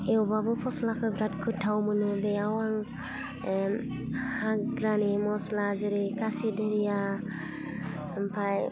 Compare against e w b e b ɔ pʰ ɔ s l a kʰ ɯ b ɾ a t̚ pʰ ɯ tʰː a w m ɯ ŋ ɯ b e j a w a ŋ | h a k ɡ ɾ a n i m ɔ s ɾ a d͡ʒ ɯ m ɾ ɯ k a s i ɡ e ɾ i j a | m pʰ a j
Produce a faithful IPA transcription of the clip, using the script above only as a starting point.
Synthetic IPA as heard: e w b a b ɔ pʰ ɔ s l a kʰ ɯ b ɾ a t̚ kʰ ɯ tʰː a w m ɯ n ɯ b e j a w a ŋ | h a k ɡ ɾ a n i m ɔ s l a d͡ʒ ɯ ɾ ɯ k a s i d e ɾ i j a | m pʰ a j